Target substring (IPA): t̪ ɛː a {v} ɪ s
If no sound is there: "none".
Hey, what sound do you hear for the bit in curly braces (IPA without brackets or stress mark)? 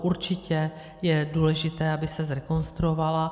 b